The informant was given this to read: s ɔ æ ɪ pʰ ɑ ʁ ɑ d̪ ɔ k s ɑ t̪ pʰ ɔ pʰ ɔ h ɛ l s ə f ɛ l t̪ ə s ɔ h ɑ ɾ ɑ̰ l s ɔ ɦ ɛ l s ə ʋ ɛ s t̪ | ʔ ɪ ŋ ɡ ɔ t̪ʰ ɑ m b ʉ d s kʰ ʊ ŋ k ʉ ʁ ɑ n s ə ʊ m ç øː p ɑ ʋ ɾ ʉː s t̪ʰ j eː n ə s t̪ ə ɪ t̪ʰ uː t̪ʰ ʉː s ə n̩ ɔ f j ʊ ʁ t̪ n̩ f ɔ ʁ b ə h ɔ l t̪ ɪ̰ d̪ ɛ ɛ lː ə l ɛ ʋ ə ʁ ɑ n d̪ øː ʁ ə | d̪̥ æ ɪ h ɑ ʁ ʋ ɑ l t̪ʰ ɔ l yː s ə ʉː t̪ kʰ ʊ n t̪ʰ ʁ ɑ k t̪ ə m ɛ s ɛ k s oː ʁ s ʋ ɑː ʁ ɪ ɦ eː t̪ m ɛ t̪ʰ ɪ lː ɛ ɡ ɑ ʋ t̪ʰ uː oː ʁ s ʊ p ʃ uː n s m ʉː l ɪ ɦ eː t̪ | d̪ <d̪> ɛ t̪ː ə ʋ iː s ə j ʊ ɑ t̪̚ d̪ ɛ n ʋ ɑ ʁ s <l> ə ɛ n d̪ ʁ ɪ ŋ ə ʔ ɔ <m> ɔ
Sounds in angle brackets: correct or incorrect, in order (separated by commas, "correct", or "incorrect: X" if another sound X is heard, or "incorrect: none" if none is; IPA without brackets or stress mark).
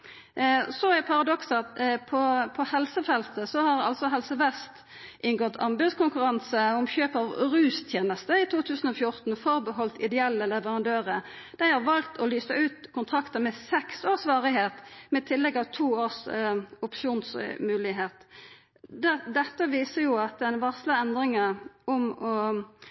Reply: correct, correct, correct